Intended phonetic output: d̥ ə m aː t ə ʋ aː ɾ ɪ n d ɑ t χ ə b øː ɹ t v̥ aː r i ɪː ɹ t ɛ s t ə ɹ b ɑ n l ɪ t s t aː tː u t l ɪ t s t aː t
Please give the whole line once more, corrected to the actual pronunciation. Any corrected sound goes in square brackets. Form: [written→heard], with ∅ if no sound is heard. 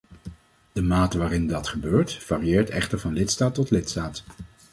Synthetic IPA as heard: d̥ ə m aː t ə ʋ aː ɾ ɪ n d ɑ t χ ə b øː ɹ t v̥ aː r i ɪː ɹ t ɛ [s→χ] t ə ɹ [b→v] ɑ n l ɪ t s t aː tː [u→ɔ] t l ɪ t s t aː t